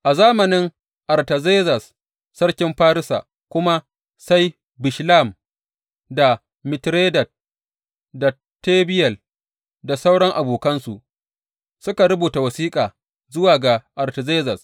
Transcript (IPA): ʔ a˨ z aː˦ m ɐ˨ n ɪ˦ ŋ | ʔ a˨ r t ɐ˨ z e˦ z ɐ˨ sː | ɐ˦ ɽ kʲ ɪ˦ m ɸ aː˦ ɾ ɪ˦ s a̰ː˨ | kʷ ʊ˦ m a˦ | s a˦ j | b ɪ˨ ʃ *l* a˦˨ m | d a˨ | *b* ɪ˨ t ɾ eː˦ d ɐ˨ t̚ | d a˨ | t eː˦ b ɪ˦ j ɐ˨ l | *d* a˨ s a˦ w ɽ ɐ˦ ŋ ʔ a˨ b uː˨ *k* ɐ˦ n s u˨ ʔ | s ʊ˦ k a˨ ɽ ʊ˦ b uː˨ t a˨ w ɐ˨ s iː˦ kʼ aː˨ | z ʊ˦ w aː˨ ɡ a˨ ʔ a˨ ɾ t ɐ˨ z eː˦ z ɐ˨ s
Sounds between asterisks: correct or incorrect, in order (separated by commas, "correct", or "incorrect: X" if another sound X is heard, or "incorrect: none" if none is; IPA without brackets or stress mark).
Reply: correct, incorrect: m, correct, correct